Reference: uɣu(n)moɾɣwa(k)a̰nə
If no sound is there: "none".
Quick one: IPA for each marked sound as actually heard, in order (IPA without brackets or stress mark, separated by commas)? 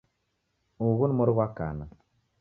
n, k